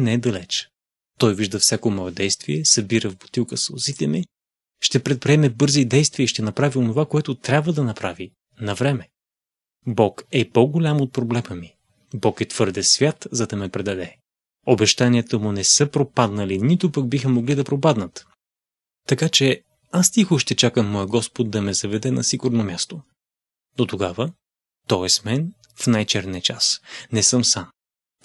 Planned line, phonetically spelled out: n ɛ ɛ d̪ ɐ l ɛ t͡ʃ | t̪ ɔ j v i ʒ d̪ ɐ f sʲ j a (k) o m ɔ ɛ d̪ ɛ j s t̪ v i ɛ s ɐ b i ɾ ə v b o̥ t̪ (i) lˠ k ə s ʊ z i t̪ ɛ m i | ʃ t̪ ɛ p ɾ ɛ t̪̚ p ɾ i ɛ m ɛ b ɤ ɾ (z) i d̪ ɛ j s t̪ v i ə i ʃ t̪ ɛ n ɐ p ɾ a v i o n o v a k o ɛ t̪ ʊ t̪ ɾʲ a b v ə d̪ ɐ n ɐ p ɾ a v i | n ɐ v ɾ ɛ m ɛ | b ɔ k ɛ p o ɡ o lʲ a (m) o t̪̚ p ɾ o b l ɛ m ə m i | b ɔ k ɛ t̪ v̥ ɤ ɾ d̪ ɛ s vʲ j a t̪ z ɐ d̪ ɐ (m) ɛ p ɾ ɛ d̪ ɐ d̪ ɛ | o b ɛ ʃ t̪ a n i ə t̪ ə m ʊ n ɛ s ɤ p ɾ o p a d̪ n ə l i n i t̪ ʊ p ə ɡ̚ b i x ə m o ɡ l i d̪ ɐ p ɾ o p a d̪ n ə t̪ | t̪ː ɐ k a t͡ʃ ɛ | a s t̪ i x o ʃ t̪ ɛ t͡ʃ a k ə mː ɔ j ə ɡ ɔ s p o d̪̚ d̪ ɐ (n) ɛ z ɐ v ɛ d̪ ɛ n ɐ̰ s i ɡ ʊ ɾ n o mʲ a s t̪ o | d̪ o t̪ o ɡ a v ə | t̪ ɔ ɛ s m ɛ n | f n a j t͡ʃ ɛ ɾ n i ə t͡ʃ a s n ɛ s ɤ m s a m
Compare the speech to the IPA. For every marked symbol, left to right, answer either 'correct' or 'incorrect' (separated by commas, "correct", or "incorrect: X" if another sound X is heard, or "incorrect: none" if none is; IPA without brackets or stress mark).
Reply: correct, correct, correct, correct, correct, incorrect: m